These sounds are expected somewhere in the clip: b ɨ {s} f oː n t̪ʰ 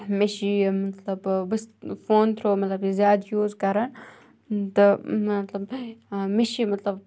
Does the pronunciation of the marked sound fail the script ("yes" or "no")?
no